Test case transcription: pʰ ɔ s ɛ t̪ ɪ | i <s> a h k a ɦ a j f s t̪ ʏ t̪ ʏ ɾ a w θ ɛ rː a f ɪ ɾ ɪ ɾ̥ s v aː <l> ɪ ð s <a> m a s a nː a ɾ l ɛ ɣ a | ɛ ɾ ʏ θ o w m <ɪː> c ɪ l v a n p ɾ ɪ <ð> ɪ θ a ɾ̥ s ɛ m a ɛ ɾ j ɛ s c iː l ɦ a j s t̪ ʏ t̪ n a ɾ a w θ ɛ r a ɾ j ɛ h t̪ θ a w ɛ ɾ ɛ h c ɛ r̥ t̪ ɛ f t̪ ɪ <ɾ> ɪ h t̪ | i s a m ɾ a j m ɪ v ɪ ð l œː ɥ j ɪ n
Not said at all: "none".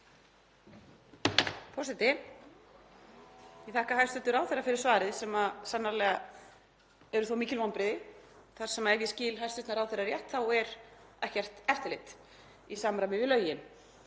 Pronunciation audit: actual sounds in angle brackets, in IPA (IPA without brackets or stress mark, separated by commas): θ, ɾ, ɛ, iː, ð, l